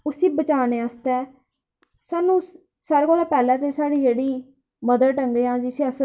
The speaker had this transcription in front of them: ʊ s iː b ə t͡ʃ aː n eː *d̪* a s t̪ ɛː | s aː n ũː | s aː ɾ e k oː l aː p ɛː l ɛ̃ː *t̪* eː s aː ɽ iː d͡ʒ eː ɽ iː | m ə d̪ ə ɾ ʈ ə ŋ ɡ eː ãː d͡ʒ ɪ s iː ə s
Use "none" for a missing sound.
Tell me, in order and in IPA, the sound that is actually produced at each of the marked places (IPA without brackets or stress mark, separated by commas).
none, t̪